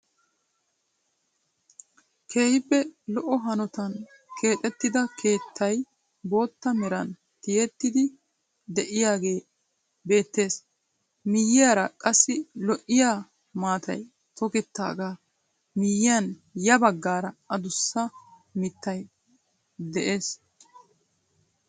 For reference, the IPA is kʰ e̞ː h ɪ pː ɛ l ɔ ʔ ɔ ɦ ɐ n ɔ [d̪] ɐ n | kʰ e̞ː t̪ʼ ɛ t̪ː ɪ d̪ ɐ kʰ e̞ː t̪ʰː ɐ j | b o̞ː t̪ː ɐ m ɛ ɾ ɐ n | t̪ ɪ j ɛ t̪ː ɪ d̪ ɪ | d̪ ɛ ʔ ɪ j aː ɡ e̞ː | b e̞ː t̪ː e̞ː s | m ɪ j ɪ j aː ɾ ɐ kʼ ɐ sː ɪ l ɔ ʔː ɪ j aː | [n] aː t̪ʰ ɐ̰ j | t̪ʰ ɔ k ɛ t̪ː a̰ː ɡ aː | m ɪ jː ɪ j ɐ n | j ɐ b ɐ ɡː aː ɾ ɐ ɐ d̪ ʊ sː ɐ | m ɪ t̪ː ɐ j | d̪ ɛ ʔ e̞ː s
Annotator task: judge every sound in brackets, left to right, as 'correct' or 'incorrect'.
incorrect, incorrect

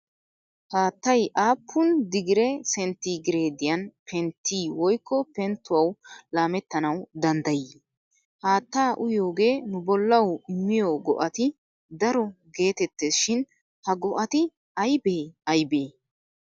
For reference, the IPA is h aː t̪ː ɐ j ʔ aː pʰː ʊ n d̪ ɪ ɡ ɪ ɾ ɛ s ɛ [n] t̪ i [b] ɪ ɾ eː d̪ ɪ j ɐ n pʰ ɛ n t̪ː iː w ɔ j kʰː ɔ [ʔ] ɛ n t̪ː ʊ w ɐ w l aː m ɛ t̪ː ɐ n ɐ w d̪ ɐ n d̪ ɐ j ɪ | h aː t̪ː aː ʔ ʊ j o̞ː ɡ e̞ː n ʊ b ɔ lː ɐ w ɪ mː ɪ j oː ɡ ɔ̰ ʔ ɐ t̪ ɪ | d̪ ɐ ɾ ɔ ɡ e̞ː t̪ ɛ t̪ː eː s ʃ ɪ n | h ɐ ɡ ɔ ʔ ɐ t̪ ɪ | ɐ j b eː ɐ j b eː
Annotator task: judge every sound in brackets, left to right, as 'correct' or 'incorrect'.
correct, incorrect, incorrect

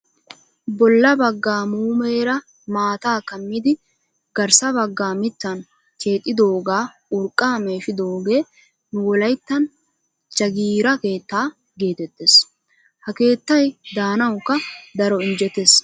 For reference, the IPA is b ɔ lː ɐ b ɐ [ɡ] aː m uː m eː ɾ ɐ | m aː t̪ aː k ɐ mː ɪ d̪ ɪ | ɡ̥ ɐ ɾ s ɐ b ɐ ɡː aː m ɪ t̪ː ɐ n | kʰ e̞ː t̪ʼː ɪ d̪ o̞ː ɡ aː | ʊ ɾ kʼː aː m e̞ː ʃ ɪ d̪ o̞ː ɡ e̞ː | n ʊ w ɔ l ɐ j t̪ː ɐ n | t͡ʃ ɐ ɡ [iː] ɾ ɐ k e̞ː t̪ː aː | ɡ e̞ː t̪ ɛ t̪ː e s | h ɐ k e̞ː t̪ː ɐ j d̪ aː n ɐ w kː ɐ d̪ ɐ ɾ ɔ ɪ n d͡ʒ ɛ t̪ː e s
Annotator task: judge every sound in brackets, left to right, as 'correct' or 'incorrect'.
incorrect, correct

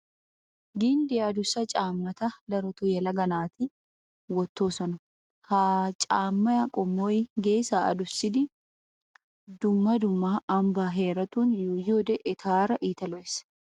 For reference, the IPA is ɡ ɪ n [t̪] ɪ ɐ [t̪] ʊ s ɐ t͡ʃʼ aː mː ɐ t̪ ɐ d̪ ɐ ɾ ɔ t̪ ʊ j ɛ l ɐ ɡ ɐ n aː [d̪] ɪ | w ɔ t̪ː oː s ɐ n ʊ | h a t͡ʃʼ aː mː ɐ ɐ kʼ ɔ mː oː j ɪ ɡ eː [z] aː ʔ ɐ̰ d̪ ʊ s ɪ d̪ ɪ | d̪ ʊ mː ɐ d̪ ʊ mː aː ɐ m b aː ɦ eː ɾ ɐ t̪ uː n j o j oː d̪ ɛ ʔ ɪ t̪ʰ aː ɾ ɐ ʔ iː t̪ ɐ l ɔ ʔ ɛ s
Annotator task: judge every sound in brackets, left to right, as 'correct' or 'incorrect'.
incorrect, incorrect, incorrect, incorrect

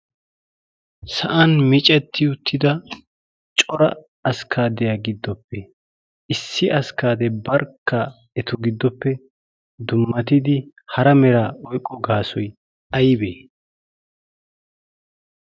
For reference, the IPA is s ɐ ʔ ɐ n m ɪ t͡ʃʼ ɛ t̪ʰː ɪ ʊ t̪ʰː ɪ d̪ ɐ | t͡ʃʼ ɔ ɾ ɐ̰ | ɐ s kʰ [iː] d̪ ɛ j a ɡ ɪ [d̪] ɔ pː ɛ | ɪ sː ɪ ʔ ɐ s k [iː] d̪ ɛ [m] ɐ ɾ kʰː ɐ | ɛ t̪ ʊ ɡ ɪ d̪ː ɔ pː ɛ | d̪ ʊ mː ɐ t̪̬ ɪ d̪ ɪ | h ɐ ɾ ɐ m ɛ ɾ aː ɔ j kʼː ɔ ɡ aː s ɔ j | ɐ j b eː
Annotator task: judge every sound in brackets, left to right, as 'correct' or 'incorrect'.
incorrect, incorrect, incorrect, incorrect

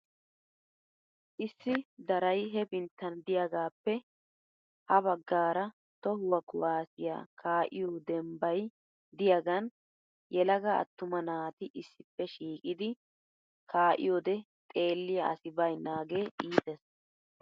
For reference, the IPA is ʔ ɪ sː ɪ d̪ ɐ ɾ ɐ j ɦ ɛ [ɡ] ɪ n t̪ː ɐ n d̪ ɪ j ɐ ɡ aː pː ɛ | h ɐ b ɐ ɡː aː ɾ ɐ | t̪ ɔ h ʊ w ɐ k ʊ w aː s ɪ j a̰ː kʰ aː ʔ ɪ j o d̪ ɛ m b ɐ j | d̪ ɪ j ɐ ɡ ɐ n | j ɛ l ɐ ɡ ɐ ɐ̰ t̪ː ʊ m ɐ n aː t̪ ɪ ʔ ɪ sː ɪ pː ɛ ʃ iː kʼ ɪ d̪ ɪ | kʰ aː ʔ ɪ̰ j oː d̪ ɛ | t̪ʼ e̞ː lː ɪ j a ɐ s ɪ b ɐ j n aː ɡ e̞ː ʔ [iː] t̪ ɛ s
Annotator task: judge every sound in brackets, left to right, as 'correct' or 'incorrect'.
incorrect, correct

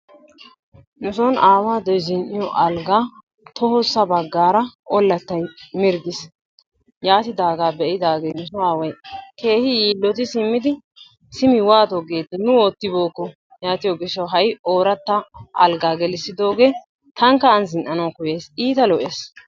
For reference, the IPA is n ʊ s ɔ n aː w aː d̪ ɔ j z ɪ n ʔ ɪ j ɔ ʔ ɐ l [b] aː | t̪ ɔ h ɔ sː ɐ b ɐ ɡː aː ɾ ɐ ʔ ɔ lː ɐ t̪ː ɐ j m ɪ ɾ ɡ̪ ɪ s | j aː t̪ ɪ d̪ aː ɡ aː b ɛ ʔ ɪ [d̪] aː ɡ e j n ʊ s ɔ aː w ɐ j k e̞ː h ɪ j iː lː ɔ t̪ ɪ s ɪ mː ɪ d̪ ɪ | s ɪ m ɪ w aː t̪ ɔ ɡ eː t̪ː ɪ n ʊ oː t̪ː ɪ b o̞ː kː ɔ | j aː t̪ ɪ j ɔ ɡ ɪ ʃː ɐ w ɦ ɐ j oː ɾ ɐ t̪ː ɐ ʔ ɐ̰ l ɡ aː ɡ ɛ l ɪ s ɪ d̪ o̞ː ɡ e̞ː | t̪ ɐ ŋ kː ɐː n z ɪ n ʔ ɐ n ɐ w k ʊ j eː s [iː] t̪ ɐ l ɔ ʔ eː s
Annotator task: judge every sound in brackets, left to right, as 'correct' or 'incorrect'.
incorrect, correct, correct

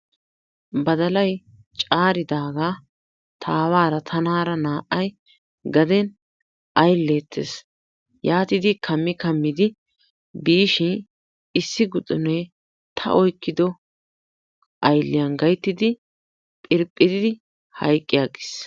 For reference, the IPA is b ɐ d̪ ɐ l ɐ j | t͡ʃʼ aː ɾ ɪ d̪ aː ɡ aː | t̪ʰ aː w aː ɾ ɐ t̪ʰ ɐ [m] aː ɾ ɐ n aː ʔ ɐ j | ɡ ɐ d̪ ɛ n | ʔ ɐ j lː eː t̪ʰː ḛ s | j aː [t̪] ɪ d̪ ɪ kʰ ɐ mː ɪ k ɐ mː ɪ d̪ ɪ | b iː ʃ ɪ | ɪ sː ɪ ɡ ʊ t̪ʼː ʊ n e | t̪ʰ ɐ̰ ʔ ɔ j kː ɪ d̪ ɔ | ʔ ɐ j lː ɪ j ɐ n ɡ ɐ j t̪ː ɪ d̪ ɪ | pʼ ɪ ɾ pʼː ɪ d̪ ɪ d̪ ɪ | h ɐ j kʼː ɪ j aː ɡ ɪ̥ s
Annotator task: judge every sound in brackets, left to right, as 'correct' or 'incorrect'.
incorrect, correct

